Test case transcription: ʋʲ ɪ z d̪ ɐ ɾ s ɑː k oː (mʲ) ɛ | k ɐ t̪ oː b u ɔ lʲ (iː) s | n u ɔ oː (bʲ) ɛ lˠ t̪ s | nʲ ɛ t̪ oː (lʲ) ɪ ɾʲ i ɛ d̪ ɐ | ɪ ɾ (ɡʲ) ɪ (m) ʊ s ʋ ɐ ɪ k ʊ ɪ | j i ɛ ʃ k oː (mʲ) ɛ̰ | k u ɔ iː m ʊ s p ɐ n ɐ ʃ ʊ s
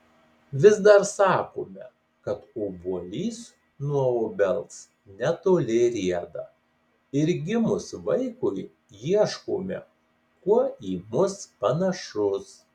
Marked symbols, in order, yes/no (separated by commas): yes, yes, yes, yes, yes, yes, yes